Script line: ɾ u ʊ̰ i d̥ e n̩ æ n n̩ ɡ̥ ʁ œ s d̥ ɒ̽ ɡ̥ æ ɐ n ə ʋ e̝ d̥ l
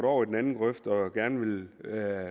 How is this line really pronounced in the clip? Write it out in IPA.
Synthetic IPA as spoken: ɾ ɒ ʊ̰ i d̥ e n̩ æ n n̩ ɡ̥ ʁ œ f d̥ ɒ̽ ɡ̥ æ ɐ n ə ʋ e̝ l